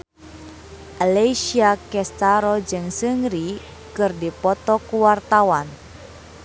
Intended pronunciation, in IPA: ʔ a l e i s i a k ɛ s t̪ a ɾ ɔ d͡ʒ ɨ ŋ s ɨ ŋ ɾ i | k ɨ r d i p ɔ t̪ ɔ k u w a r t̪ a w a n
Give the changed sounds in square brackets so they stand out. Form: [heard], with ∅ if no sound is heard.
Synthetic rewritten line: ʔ a l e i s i a k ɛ s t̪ a ɾ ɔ d͡ʒ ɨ ŋ s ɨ ŋ ɾ i | k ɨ r d i p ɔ t̪ ɔ k u w a r t̪ a w a n